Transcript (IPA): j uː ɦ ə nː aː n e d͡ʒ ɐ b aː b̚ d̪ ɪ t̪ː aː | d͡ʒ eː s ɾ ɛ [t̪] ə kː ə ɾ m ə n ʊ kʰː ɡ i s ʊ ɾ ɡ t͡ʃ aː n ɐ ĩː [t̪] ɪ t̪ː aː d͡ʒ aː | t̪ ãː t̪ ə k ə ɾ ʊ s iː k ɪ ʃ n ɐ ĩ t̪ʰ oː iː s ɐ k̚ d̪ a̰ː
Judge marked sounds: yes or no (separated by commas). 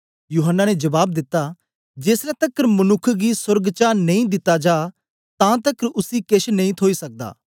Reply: yes, no